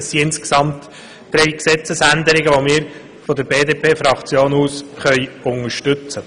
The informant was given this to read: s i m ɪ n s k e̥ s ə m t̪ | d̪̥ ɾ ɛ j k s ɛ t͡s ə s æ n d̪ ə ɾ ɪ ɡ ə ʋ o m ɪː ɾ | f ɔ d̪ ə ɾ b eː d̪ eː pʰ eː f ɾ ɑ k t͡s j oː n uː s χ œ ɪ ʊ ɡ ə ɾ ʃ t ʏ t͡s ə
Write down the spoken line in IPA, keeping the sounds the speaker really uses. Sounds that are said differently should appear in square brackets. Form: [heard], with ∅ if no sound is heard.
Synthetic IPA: s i [∅] ɪ n s k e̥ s [ɑ] m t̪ | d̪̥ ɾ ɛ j k s ɛ t͡s ə s æ n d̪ ə ɾ ɪ ɡ ə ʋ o m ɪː ɾ | f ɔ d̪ ə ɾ b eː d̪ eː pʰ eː f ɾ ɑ k t͡s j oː n uː s χ œ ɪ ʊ [ŋ] ə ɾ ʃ t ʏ t͡s ə